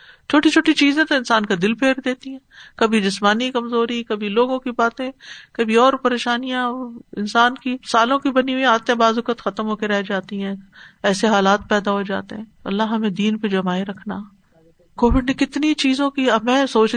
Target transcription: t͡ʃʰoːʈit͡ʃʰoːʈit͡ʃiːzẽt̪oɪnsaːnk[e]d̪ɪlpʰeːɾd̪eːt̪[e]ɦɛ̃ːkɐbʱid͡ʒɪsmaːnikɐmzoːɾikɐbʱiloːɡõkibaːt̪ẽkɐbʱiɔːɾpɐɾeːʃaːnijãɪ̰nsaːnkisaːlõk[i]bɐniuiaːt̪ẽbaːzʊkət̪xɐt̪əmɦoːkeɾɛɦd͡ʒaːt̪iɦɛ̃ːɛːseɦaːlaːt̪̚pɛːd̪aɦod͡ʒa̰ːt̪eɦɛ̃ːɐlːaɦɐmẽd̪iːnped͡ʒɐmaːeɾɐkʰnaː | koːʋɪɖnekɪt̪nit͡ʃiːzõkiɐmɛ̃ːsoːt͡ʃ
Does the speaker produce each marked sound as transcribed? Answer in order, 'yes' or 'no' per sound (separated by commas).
no, no, yes